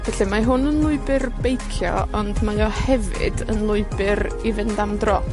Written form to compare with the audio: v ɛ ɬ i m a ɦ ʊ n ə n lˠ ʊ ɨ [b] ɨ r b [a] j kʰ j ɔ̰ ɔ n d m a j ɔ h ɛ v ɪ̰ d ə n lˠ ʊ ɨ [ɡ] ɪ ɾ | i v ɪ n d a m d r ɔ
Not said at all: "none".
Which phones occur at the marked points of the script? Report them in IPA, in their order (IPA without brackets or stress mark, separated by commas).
b, e, b